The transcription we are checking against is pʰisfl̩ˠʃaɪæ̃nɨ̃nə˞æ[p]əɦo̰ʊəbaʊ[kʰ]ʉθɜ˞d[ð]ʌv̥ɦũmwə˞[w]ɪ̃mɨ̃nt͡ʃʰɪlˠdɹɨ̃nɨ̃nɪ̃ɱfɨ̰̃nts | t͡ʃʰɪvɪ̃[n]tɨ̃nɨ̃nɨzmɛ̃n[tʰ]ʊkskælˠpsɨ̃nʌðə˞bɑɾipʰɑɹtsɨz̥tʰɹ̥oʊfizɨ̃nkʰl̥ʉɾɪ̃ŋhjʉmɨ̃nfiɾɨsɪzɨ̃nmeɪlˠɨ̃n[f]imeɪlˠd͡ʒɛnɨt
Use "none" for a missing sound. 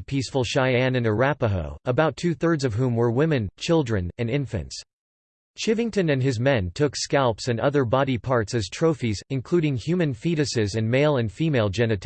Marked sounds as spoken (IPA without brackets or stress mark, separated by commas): p, tʰ, z, w, ŋ, tʰ, f